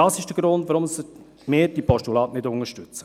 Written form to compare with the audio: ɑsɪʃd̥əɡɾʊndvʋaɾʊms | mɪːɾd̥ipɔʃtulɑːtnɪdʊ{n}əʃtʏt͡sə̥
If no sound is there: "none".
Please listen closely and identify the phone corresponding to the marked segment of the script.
ŋ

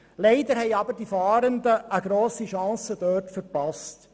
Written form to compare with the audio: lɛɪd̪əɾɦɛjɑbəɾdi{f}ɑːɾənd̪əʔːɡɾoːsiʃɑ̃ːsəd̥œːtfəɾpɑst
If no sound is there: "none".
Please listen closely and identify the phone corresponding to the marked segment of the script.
f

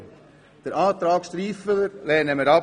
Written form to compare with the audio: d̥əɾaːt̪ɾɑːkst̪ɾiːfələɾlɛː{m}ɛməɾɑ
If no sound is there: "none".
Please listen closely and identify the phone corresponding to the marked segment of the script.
n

